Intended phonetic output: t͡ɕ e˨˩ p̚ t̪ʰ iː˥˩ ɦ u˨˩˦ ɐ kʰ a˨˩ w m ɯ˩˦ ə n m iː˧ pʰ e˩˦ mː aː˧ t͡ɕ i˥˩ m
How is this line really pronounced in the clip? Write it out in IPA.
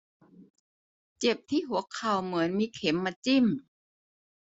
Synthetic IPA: t͡ɕ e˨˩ p̚ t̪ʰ iː˥˩ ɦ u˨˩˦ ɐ kʰ a˨˩ w m ɯ˩˦ ə n m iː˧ kʰ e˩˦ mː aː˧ t͡ɕ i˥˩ m